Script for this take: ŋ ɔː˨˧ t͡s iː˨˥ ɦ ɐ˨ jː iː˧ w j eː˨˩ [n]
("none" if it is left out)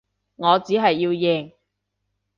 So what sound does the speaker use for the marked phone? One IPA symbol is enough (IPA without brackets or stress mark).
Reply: ŋ